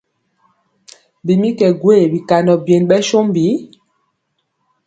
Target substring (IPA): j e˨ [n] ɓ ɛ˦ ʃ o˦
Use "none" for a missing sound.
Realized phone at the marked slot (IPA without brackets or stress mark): n